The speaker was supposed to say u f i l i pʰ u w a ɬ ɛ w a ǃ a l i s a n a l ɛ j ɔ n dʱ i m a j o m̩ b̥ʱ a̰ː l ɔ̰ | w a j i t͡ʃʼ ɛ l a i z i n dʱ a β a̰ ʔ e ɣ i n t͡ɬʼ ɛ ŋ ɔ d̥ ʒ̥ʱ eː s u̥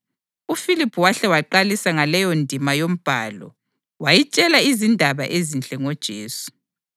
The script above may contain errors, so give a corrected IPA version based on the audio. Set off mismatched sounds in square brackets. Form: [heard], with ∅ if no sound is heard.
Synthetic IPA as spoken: u f i l i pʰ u w a ɬ ɛ w a ǃ a l i s a [ŋ] a l ɛ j ɔ n dʱ i m a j o m̩ b̥ʱ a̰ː l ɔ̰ | w a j i t͡ʃʼ ɛ l a i z i n dʱ a β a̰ ʔ e [z] i n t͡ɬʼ ɛ ŋ ɔ d̥ ʒ̥ʱ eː s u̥